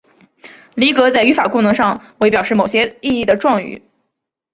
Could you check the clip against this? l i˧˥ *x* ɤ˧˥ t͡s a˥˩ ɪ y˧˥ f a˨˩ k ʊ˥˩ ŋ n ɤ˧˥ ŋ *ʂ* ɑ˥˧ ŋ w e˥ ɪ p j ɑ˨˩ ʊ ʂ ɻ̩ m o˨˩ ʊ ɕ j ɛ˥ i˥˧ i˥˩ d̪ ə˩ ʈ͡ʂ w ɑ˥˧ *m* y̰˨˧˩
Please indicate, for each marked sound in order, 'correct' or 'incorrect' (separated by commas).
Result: incorrect, correct, incorrect